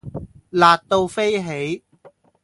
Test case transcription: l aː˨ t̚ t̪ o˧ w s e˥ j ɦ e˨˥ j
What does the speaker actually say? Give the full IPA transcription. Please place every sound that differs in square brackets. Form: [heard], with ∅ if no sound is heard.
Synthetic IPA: l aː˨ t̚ t̪ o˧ w [f] e˥ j ɦ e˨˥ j